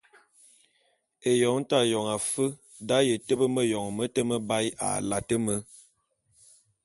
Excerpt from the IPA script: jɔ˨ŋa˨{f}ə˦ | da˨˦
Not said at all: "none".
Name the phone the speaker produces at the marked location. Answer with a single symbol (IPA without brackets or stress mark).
f